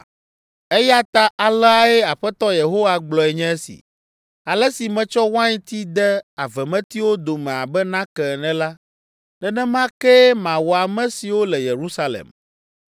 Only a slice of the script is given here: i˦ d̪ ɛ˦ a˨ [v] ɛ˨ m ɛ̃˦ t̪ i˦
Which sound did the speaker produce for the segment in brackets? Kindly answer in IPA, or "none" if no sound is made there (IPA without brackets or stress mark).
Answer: v